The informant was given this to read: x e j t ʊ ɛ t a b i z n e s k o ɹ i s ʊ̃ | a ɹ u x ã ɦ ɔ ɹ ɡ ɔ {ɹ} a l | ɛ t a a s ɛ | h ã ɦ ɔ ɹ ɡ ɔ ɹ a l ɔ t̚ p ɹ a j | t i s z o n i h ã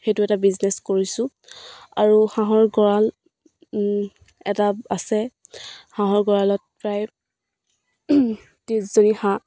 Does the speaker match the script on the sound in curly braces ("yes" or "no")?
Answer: yes